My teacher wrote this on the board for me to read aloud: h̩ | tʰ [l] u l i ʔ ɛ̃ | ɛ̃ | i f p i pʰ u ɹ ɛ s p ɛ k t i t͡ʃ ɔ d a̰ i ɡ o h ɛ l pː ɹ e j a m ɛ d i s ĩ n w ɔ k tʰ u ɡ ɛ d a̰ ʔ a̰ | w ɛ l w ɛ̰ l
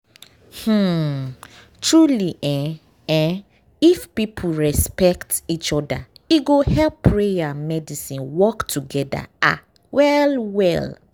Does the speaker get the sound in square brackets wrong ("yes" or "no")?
yes